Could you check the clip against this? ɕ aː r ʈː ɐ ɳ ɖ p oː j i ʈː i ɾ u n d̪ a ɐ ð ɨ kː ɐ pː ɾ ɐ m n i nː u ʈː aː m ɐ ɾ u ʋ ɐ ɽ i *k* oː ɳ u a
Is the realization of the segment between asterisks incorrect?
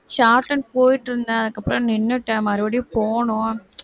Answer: yes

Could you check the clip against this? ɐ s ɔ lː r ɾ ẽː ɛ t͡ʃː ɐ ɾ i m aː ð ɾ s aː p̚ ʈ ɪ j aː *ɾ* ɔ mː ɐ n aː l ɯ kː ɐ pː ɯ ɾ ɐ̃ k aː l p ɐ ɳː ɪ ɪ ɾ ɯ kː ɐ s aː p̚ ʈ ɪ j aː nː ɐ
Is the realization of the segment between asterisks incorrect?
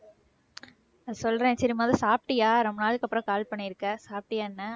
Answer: no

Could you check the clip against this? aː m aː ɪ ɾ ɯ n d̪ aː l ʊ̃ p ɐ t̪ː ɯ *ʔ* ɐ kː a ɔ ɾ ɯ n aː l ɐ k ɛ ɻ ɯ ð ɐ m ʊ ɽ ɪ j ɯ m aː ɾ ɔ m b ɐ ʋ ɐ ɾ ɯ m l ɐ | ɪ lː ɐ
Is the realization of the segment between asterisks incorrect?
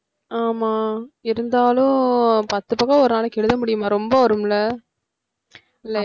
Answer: yes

